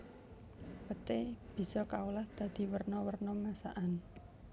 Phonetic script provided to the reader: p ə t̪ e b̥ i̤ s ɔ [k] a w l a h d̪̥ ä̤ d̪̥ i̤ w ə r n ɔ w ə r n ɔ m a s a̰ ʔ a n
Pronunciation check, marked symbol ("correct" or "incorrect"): correct